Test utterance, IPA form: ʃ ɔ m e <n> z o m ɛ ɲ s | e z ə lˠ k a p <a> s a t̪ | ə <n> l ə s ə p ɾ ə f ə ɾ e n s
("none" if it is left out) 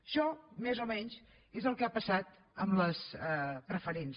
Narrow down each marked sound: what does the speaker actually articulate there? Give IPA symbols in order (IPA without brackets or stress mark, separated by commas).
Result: none, ə, m